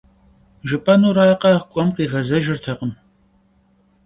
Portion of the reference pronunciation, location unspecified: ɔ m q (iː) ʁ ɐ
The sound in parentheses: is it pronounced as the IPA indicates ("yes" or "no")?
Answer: yes